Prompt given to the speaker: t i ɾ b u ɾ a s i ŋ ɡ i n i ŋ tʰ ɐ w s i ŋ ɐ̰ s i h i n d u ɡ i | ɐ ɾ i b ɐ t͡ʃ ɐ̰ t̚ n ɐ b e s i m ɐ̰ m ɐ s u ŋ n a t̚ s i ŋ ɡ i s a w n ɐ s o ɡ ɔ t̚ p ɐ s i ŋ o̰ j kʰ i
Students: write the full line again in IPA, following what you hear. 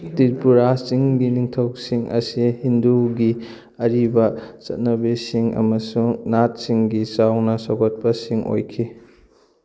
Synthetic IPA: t i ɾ p u ɾ a s i ŋ ɡ i n i ŋ tʰ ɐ w s i ŋ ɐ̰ s i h i n d u ɡ i | ɐ ɾ i b ɐ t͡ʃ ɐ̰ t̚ n ɐ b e s i ŋ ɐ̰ m ɐ s u ŋ n a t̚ s i ŋ ɡ i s a w n ɐ s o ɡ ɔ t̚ p ɐ s i ŋ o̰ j kʰ i

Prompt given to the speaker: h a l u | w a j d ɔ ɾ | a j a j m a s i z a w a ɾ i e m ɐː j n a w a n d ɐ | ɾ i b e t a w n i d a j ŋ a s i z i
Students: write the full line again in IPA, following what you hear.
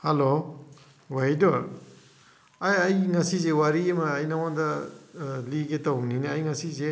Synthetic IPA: h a l o | w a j d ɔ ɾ | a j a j ŋ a s i z e w a ɾ i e m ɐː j n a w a n d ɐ | l i ɡ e t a w n i n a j ŋ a s i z e

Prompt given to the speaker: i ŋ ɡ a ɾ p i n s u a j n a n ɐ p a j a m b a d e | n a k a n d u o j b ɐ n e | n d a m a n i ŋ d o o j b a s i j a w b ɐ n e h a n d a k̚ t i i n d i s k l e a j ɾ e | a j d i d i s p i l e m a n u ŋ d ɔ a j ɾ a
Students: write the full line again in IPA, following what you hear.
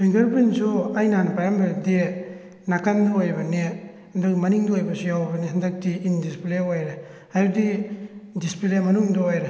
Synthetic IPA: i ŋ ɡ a ɾ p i n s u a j n a n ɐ p a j a m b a d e | n a k a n d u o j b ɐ n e | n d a m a n i ŋ d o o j b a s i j a w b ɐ n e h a n d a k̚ t i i n d i s p l e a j ɾ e | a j d i d i s p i l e m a n u ŋ d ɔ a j ɾ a

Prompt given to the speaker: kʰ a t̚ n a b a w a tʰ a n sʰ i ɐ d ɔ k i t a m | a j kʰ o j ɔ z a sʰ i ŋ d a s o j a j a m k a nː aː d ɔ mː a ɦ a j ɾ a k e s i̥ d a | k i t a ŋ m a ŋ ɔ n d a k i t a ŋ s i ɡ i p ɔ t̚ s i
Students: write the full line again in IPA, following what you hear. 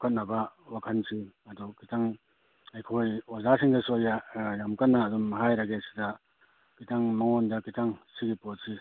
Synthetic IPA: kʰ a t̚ n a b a w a kʰ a n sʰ i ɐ d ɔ k i t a ŋ | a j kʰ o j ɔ z a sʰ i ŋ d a s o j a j a m k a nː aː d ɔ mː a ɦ a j ɾ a ɡ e s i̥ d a | k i t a ŋ m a ŋ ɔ n d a k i t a ŋ s i ɡ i p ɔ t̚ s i

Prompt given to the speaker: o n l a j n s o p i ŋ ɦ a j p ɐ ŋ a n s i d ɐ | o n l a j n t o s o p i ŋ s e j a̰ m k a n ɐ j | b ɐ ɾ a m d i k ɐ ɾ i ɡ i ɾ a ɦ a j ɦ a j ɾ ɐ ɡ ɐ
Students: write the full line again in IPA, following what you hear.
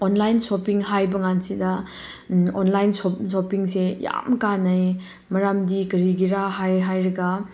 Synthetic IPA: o n l a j n s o p i ŋ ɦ a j b ɐ ŋ a n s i d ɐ | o n l a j n s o s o p i ŋ s e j a̰ m k a n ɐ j | m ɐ ɾ a m d i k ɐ ɾ i ɡ i ɾ a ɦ a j ɦ a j ɾ ɐ ɡ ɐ

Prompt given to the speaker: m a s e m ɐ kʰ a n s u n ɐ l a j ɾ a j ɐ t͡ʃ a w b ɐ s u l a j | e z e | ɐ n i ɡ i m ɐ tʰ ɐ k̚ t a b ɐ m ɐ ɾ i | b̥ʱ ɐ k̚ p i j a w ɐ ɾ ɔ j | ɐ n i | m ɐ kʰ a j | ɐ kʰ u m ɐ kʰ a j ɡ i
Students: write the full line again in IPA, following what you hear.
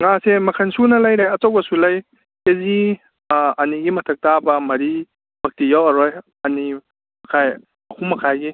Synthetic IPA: ŋ a s e m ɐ kʰ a n s u n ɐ l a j ɾ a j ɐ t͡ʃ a w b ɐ s u l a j | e z i | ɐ n i ɡ i m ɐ tʰ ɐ k̚ t a b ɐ m ɐ ɾ i | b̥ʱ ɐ k̚ t i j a w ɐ ɾ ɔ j | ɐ n i | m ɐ kʰ a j | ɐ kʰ u m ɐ kʰ a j ɡ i

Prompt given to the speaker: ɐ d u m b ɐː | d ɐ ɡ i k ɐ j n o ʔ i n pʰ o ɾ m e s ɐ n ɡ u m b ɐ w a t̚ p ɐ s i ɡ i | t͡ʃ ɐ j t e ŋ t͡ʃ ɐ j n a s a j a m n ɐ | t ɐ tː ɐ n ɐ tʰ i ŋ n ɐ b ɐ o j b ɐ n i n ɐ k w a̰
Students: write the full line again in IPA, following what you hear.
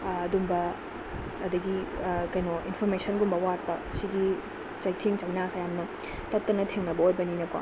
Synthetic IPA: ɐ d u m b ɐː | d ɐ ɡ i k ɐ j n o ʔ i n pʰ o ɾ m e s ɐ n ɡ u m b ɐ w a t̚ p ɐ s i ɡ i | t͡ʃ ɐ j tʰ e ŋ t͡ʃ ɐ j n a s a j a m n ɐ | t ɐ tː ɐ n ɐ tʰ e ŋ n ɐ b ɐ o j b ɐ n i n ɐ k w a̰

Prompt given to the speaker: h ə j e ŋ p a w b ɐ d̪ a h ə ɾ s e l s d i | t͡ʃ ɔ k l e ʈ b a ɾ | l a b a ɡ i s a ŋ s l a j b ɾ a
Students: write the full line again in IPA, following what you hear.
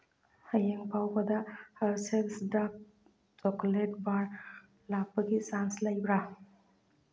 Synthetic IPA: h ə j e ŋ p a w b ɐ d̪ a h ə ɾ s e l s d a | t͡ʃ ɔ k l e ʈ b a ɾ | l a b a ɡ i s a n s l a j b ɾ a

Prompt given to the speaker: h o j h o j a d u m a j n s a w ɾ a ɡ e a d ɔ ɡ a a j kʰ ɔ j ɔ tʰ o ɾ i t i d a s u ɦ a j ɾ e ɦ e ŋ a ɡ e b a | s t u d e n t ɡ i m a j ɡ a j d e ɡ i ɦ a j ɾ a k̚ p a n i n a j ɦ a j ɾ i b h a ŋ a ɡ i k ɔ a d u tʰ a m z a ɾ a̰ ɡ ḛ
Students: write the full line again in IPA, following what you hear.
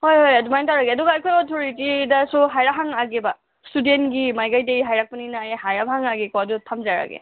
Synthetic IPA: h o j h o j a d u m a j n t a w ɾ a ɡ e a d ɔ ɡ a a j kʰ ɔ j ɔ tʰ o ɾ i t i d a s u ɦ a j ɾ a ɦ a ŋ a ɡ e b a | s t u d e n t ɡ i m a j ɡ a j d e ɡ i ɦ a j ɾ a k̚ p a n i n a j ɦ a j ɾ a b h a ŋ a ɡ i k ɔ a d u tʰ a m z a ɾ a̰ ɡ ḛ

